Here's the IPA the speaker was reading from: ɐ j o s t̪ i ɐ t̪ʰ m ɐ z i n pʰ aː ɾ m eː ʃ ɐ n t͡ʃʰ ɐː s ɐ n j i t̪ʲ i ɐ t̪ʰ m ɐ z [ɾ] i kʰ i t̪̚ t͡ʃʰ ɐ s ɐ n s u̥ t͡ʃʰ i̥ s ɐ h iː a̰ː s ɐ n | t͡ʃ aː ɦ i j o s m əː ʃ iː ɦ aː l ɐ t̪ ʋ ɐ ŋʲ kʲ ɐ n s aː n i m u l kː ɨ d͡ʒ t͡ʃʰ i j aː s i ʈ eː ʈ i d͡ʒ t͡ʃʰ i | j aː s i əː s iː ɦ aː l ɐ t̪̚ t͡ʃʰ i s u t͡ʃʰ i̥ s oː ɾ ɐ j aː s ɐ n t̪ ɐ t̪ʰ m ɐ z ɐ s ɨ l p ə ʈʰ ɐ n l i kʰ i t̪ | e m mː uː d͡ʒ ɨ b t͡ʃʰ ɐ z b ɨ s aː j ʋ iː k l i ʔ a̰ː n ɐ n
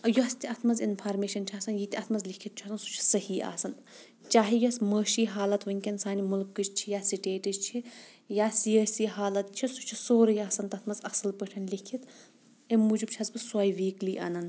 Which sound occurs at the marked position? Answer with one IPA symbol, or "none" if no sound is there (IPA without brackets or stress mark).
l